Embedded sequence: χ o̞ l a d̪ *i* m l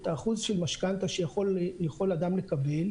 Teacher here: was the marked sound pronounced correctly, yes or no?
no